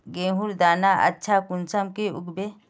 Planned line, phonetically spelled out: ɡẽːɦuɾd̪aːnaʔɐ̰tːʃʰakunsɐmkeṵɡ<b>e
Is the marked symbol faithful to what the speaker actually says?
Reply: yes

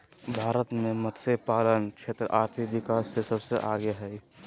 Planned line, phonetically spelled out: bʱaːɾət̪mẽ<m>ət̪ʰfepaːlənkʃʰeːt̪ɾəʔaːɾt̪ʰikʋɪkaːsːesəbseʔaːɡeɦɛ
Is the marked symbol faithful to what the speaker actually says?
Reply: yes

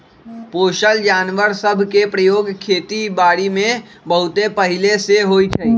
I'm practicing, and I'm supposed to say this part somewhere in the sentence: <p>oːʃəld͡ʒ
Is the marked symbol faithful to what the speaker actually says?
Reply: yes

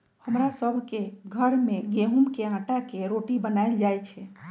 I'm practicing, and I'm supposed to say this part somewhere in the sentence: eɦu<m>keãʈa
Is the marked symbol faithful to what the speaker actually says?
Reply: yes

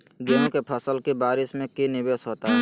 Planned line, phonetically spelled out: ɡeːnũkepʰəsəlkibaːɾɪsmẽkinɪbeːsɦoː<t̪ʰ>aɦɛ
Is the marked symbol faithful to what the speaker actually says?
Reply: no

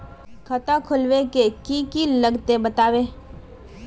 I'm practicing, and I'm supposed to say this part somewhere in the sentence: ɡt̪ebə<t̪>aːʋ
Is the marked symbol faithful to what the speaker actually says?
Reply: yes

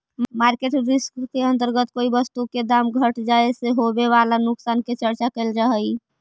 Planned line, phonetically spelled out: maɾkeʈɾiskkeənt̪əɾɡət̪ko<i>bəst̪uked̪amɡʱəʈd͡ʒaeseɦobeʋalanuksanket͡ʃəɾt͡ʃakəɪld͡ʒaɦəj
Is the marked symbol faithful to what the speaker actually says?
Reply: yes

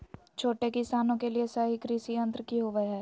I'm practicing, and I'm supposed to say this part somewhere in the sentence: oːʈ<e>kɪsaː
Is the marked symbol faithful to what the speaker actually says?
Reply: yes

